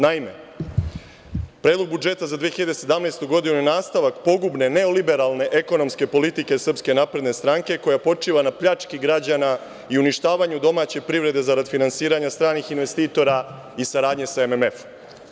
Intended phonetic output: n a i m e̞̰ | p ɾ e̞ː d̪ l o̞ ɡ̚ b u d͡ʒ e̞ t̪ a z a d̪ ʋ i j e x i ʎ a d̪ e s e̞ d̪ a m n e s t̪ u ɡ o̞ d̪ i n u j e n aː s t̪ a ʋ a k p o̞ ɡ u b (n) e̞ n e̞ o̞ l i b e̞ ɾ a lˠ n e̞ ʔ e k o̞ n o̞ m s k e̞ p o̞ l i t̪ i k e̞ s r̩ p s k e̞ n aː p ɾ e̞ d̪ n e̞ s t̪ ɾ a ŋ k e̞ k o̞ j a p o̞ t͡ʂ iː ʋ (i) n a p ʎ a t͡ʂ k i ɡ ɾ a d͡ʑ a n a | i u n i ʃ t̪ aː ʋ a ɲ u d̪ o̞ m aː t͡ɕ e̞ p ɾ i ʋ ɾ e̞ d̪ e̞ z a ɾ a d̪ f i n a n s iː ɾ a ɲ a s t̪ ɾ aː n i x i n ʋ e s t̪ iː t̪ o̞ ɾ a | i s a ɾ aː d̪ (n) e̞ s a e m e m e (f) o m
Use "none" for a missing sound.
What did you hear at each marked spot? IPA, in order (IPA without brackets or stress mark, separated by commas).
n, a, ɲ, f